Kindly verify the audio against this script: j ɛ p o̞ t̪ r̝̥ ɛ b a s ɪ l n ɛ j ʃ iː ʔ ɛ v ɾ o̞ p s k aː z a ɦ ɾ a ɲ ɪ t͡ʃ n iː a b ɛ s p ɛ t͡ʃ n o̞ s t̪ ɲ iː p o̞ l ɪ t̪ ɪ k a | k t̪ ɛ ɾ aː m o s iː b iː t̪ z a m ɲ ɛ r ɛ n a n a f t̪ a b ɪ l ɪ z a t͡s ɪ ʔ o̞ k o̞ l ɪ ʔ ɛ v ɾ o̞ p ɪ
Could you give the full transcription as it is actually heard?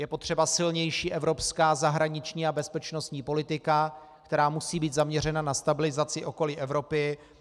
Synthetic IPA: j ɛ p o̞ t̪ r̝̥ ɛ b a s ɪ l ɲ ɛ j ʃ iː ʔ ɛ v ɾ o̞ p s k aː z a ɦ ɾ a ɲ ɪ t͡ʃ ɲ iː a b ɛ s p ɛ t͡ʃ n o̞ s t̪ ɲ iː p o̞ l ɪ t̪ ɪ k a | k t̪ ɛ ɾ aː m u s iː b iː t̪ z a m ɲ ɛ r ɛ n a n a s t̪ a b ɪ l ɪ z a t͡s ɪ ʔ o̞ k o̞ l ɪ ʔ ɛ v ɾ o̞ p ɪ